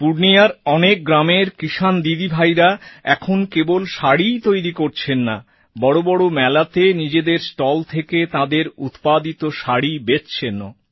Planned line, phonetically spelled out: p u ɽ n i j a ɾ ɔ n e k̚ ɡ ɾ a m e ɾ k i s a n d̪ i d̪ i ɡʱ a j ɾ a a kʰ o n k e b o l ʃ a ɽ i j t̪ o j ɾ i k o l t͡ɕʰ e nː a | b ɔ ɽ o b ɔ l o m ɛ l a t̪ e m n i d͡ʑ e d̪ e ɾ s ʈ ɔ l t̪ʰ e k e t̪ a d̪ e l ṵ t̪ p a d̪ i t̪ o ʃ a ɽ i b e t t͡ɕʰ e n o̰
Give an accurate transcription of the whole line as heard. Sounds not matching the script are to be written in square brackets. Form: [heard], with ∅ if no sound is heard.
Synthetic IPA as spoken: p u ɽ n i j a ɾ ɔ n e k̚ ɡ ɾ a m e ɾ k i [ʃ] a n d̪ i d̪ i [bʱ] a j ɾ a [ɛ] kʰ o n k e b o l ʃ a ɽ i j t̪ o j ɾ i k o [ɾ] t͡ɕʰ e nː a | b ɔ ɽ o b ɔ [ɽ] o m ɛ l a t̪ e [∅] n i d͡ʑ e d̪ e ɾ s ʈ ɔ l t̪ʰ e k e t̪ a d̪ e [ɾ] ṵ t̪ p a d̪ i t̪ o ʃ a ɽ i b e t t͡ɕʰ e n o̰